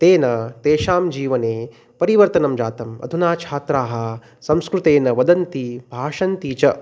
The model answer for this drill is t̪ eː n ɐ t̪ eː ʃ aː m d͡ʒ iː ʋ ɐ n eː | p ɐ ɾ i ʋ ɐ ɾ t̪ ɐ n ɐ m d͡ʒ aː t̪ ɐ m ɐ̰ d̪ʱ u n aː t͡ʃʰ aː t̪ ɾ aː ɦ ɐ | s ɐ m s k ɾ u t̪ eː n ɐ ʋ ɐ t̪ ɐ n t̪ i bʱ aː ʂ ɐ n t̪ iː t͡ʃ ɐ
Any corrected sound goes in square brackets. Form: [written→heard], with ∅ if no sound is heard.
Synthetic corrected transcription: t̪ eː n ɐ t̪ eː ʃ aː m d͡ʒ iː ʋ ɐ n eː | p ɐ ɾ i ʋ ɐ ɾ t̪ ɐ n ɐ m d͡ʒ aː t̪ ɐ m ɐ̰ d̪ʱ u n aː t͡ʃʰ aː t̪ ɾ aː ɦ ɐ | s ɐ m s k ɾ u t̪ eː n ɐ ʋ ɐ [t̪→d̪] ɐ n t̪ i bʱ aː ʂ ɐ n t̪ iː t͡ʃ ɐ